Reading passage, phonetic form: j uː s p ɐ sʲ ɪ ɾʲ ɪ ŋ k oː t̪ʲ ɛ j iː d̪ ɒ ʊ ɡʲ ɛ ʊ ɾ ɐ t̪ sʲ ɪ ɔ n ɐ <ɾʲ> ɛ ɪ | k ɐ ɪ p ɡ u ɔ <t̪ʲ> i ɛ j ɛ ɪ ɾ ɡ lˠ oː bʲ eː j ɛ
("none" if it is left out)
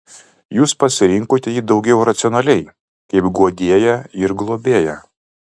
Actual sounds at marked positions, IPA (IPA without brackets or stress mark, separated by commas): lʲ, d̪ʲ